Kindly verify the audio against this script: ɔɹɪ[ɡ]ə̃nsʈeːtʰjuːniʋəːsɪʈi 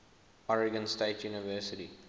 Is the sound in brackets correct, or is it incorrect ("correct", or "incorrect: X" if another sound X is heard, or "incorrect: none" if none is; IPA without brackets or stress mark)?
correct